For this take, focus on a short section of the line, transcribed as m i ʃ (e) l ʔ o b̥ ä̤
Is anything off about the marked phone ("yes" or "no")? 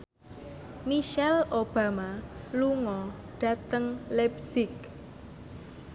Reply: yes